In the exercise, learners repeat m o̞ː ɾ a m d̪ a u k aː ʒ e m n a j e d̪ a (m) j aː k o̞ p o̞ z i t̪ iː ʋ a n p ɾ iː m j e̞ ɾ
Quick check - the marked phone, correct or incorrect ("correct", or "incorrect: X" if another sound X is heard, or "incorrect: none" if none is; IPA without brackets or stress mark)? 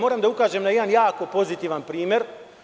incorrect: n